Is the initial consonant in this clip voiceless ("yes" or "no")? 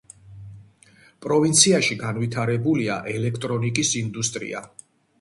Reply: yes